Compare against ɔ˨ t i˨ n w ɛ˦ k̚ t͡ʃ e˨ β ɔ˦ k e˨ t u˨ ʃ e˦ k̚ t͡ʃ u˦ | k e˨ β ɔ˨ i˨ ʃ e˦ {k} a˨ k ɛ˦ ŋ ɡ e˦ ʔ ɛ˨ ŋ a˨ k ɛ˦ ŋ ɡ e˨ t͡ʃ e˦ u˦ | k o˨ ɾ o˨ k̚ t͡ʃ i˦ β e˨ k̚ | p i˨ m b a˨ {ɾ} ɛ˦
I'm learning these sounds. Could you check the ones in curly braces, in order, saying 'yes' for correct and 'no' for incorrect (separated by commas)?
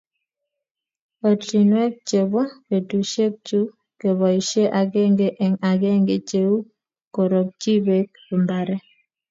no, yes